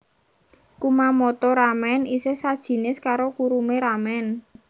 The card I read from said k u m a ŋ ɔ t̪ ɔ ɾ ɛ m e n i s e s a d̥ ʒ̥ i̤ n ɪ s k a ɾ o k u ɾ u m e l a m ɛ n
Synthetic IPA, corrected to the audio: k u m a m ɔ t̪ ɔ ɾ a m ɛ n i s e s a d̥ ʒ̥ i̤ n ɪ s k a ɾ o k u ɾ u m e ɾ a m ɛ n

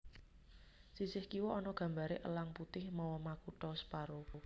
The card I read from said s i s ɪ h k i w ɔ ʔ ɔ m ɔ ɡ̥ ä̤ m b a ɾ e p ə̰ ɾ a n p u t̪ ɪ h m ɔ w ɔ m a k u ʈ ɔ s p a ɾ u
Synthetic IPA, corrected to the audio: s i s ɪ h k i w ɔ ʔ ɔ n ɔ ɡ̥ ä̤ m b a ɾ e ʔ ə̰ l a ŋ p u t̪ ɪ h m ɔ w ɔ m a k u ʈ ɔ s p a ɾ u

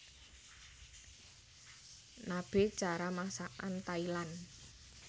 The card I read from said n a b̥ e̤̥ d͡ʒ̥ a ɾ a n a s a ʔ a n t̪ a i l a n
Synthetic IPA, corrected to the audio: n a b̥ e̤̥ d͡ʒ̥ a ɾ a m a s a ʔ a n t̪ a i l a n

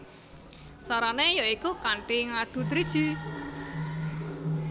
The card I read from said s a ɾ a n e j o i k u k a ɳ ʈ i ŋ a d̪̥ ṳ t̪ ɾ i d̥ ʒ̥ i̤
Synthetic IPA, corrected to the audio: s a ɾ a n e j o i k u k a ɳ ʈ i ŋ a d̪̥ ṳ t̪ ɾ i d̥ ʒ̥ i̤

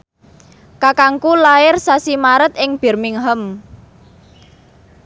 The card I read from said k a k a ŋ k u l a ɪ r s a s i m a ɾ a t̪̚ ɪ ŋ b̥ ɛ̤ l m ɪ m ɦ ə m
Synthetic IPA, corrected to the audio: k a k a ŋ k u l a ɪ r s a s i m a ɾ ə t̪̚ ɪ ŋ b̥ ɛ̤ r m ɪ ŋ ɦ ə m

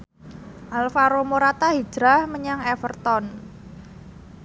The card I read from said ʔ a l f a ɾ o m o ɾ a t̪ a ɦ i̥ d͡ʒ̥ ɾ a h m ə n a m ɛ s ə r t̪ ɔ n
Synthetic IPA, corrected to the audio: ʔ a l f a ɾ o m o ɾ a t̪ a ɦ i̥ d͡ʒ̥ ɾ a h m ə ɲ a ŋ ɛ f ə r t̪ ɔ n

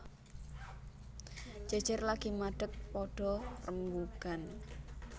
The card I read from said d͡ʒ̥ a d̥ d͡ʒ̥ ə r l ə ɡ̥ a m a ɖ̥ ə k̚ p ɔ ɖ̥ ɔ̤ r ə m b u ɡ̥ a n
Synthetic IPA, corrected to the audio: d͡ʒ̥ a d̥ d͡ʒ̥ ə r l a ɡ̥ i m a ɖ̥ ə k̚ p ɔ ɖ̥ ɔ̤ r ə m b u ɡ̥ a n

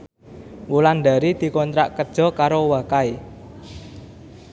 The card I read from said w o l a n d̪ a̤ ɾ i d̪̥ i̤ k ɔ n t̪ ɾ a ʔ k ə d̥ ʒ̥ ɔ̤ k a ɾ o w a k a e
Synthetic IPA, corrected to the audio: w u l a n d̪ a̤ ɾ i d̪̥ i̤ k ɔ n t̪ ɾ a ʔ k ə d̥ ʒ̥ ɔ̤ k a ɾ o w a k a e

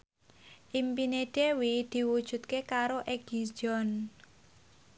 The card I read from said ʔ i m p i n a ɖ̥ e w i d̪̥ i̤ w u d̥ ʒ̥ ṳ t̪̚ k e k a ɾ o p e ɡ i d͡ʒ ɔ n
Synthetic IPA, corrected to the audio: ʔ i m p i n e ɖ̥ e w i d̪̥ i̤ w u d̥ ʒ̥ ṳ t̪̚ k e k a ɾ o ʔ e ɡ i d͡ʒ ɔ n

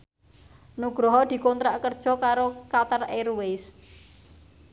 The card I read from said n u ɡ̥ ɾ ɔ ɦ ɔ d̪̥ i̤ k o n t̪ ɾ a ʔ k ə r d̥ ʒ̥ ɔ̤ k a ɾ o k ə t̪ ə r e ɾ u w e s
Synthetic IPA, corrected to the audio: n u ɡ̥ ɾ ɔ ɦ ɔ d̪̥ i̤ k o n t̪ ɾ a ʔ k ə r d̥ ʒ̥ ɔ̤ k a ɾ o k a t̪ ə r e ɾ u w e s

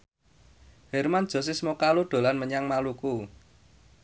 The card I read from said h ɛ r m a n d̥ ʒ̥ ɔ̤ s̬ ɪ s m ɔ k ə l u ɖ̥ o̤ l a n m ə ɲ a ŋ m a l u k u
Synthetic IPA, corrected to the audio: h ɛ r m a n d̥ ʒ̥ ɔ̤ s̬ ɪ s m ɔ k a l u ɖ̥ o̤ l a n m ə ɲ a ŋ m a l u k u

